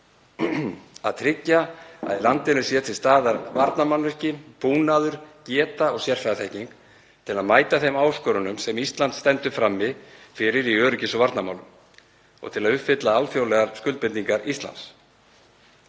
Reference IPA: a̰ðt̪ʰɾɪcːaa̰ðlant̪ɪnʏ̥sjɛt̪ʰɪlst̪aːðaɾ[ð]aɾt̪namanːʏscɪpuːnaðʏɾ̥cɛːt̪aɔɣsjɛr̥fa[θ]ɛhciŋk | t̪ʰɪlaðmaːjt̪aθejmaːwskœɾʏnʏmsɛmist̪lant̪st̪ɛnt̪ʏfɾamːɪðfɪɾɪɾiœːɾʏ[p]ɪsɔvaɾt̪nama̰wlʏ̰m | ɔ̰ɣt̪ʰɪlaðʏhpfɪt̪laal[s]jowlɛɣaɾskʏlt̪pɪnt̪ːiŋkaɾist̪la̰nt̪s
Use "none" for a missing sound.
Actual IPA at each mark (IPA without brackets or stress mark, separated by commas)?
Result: v, θ, c, f